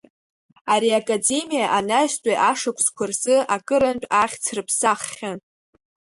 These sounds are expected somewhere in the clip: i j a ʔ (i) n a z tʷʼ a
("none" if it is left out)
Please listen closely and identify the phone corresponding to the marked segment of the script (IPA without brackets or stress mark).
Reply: a